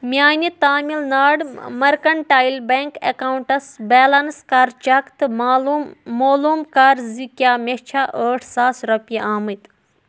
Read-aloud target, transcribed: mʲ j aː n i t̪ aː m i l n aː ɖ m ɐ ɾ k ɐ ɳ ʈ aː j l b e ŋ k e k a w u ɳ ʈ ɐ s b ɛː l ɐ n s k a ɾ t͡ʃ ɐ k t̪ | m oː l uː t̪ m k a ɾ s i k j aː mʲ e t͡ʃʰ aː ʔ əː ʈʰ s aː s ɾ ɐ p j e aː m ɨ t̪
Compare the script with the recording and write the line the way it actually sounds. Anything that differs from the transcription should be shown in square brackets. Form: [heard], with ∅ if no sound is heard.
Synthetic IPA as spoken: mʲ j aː n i t̪ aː m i l n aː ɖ m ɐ ɾ k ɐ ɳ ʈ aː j l b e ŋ k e k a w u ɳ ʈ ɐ s b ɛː l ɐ n s k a ɾ t͡ʃ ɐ k t̪ | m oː l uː [∅] m k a ɾ [z] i k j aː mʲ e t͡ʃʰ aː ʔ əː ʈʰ s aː s ɾ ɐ p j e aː m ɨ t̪